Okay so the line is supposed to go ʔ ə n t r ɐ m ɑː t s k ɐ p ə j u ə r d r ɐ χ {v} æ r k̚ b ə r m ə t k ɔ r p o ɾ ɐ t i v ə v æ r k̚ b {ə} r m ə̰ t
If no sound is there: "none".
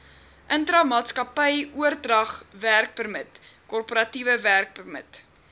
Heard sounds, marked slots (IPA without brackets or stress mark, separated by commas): v, ə